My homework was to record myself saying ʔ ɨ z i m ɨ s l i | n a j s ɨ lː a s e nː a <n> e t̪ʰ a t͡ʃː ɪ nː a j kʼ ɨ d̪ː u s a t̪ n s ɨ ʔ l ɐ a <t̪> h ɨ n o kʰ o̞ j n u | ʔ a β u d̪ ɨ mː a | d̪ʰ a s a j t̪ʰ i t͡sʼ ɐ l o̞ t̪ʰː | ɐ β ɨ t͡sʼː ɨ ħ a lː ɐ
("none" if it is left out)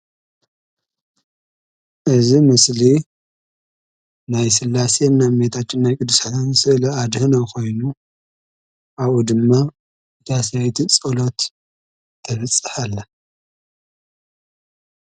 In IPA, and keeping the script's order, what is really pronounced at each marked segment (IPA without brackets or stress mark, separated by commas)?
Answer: m, d̪